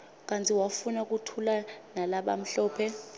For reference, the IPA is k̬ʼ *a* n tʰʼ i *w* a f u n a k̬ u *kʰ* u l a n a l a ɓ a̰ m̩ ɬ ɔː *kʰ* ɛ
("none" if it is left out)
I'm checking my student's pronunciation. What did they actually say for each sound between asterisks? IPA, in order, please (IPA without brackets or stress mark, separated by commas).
a, w, tʰ, pʰ